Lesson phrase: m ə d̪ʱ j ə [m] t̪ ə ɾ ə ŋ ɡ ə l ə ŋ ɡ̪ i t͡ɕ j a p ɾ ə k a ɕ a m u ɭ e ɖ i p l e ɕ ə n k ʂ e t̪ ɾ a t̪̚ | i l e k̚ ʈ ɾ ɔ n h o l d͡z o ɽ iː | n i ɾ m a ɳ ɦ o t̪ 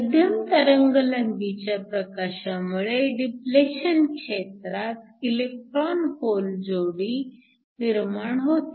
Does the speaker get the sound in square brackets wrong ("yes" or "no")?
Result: no